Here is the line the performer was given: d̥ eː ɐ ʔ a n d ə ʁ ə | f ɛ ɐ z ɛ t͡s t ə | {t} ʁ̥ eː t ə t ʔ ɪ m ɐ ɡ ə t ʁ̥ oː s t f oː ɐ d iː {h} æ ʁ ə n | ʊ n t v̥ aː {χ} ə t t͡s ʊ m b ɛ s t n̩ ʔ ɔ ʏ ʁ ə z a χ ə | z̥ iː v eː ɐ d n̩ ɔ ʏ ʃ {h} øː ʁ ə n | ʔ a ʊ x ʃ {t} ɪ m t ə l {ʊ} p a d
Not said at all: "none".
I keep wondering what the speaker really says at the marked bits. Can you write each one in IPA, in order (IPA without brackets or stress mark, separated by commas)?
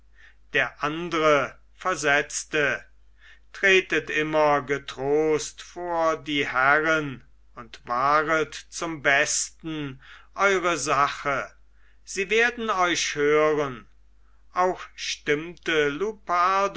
t, h, ʁ, h, t, u